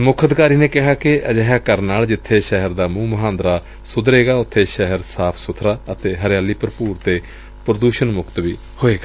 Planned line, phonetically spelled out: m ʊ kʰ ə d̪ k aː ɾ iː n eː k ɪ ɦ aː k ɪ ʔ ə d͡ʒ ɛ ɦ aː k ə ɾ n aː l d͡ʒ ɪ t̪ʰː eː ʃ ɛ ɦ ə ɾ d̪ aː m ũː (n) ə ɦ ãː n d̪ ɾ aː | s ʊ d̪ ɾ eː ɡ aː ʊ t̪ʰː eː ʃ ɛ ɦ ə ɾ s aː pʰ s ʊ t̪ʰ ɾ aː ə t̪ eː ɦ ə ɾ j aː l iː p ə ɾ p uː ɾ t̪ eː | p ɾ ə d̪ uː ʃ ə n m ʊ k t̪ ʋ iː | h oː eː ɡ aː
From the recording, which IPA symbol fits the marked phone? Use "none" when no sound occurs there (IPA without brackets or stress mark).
m